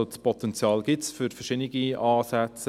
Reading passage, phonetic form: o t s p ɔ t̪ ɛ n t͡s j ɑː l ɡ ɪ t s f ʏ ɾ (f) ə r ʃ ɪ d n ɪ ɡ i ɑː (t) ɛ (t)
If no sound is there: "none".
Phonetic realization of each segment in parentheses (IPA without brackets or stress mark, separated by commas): f, s, t͡s